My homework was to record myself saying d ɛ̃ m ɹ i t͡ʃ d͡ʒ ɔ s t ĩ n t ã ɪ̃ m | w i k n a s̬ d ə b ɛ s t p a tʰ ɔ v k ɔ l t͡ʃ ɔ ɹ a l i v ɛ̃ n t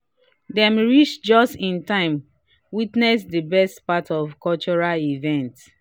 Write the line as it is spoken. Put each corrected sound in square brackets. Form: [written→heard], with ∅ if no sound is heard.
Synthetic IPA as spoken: d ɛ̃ m ɹ i t͡ʃ d͡ʒ ɔ s t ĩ n t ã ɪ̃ m | w i [k→t] n [a→ɛ] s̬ d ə b ɛ s t p a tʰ ɔ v k ɔ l t͡ʃ ɔ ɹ a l i v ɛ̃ n t